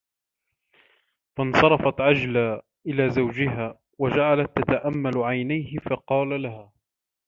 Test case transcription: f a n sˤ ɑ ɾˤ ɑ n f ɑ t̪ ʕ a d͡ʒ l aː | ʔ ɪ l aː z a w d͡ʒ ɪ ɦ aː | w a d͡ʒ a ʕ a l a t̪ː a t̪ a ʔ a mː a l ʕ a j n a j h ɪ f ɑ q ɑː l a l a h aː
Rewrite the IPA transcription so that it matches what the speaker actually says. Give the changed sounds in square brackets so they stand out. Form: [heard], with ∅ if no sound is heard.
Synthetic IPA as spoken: f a n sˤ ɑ ɾˤ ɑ [∅] f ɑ t̪ ʕ a d͡ʒ l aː | ʔ ɪ l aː z a w d͡ʒ ɪ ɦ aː | w a d͡ʒ a ʕ a l a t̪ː a t̪ a ʔ a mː a l ʕ a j n a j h ɪ f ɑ q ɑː l a l a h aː